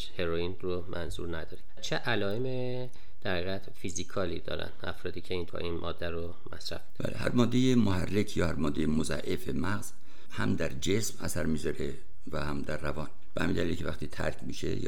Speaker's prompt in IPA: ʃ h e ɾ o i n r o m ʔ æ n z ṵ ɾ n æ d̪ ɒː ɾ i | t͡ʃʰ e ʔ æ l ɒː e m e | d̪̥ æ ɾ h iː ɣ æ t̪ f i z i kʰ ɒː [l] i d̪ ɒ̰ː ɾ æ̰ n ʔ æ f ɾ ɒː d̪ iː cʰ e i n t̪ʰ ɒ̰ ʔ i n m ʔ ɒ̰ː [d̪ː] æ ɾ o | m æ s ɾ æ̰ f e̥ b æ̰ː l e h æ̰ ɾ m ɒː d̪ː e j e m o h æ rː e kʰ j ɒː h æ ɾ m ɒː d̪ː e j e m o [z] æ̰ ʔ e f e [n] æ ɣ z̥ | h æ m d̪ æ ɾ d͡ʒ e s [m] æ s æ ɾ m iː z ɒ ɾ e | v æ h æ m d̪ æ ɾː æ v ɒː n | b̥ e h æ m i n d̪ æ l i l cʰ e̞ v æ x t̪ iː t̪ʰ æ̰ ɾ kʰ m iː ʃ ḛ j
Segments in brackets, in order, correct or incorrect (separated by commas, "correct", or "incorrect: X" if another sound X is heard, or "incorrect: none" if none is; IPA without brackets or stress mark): correct, correct, correct, incorrect: m, correct